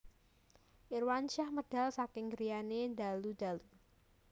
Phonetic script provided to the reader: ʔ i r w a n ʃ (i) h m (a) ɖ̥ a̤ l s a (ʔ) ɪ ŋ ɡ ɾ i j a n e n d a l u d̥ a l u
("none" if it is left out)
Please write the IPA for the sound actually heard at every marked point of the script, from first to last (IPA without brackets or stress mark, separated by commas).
a, ə, k